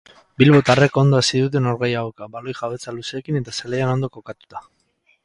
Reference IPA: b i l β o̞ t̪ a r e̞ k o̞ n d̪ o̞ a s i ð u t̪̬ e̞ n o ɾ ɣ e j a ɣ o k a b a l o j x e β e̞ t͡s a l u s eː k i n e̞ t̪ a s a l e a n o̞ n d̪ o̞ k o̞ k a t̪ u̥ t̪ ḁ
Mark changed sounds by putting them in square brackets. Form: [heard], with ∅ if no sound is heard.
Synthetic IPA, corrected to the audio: b i l β o̞ t̪ a r e̞ k o̞ n d̪ o̞ a s i ð u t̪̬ e̞ n o ɾ ɣ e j a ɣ o k a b a l o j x [a] β e̞ t͡s a l u s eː k i n e̞ t̪ a s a l e a n o̞ n d̪ o̞ k o̞ k a t̪ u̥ t̪ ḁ